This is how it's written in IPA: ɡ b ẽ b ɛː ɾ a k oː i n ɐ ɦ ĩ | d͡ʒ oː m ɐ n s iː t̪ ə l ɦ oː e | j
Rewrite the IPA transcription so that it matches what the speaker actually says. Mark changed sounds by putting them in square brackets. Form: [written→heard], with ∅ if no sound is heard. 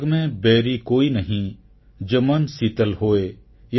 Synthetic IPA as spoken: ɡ [b→m] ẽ b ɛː ɾ [a→i] k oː i n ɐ ɦ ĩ | d͡ʒ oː m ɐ n s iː t̪ ə l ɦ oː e | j